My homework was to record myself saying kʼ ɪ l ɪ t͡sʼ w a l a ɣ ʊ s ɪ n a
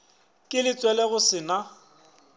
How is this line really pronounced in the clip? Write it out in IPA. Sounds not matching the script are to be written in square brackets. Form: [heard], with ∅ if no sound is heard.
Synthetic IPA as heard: kʼ ɪ l ɪ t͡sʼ w [ɛ] l [ɛ] ɣ ʊ s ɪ n a